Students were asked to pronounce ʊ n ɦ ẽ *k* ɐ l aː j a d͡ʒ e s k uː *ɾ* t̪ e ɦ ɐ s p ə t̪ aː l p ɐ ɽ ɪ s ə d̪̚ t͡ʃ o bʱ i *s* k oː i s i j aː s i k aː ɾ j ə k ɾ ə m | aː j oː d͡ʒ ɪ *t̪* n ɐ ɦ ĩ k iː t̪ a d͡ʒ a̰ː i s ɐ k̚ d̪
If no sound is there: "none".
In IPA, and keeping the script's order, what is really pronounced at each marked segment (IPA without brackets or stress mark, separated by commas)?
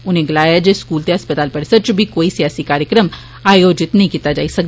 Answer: ɡ, l, none, t̪